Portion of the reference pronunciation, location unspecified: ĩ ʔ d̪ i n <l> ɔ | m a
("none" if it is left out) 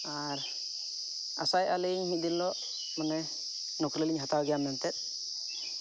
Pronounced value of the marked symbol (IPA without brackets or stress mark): l